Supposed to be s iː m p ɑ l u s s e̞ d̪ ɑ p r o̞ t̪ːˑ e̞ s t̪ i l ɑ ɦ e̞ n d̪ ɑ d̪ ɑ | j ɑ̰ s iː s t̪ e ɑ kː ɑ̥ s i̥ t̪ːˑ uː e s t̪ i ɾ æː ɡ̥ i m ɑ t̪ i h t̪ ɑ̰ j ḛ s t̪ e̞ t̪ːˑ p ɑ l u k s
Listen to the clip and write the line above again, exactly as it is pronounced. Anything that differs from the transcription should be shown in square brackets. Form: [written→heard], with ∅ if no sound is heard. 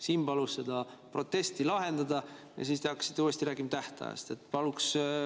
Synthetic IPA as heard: s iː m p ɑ l u s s e̞ d̪ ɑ p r o̞ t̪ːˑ e̞ s t̪ i l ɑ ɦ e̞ n d̪ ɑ d̪ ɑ | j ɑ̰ s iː s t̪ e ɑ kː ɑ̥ s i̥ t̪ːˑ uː e s t̪ i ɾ æː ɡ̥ i m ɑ t̪ [i→æ] h t̪ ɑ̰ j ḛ s t̪ e̞ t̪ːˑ p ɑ l u k s